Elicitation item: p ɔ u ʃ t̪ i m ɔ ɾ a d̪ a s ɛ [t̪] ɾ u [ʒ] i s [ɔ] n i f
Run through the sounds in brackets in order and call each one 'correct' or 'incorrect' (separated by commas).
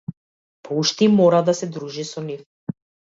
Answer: incorrect, correct, correct